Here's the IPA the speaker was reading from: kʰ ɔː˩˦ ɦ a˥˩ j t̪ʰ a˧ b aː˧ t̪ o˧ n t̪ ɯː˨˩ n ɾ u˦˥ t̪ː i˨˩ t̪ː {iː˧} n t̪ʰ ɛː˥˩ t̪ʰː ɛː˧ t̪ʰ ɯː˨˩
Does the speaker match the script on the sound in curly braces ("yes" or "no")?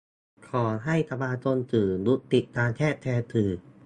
no